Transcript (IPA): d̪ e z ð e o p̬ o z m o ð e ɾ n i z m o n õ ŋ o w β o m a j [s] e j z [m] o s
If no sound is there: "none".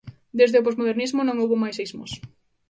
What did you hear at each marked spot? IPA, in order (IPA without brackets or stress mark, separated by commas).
s, m